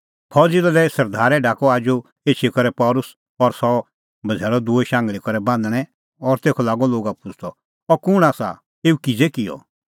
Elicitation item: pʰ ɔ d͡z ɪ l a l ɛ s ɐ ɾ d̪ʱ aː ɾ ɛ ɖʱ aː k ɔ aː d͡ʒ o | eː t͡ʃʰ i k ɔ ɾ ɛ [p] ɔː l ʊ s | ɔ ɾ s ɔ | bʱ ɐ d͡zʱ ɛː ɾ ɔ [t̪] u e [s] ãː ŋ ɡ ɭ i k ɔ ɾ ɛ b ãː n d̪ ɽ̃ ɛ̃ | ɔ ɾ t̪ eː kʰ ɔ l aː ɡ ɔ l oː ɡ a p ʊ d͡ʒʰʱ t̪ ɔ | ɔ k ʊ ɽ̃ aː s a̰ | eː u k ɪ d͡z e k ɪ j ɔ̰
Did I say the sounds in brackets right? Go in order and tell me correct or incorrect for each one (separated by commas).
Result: correct, incorrect, incorrect